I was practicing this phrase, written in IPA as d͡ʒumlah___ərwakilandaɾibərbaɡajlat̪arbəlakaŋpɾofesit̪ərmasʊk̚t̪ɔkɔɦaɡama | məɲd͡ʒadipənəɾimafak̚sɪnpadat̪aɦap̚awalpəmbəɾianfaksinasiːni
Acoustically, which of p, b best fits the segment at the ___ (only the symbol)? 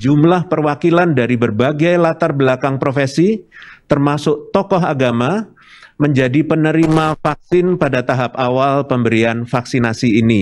p